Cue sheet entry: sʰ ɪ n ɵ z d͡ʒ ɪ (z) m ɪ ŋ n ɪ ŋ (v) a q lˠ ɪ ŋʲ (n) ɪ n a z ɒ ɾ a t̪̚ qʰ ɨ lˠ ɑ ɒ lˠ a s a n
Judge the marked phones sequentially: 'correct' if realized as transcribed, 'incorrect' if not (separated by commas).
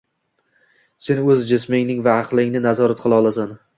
incorrect, correct, correct